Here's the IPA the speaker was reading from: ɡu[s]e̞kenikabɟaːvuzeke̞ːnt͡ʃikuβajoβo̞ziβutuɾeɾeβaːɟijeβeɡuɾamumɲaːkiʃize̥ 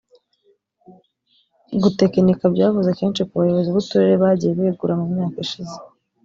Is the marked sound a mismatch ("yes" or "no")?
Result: yes